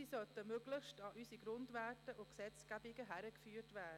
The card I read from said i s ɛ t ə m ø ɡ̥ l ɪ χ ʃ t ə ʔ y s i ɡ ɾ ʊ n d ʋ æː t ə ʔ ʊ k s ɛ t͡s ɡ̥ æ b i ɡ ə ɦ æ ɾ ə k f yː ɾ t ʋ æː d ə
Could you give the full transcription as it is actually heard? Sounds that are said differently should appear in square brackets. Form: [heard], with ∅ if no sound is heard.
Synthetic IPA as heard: i s [œ] t ə m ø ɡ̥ l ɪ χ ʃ t [ɑ] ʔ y s i ɡ ɾ ʊ n d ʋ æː t ə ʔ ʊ k s ɛ t͡s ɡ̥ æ b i ɡ ə ɦ æ ɾ ə k f yː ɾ t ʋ æː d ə